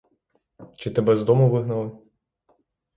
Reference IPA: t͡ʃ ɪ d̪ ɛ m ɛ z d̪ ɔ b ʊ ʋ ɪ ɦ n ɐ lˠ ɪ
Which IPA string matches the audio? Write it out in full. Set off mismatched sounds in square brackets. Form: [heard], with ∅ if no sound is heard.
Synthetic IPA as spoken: t͡ʃ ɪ [t̪] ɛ [b] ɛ z d̪ ɔ [m] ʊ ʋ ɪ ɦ n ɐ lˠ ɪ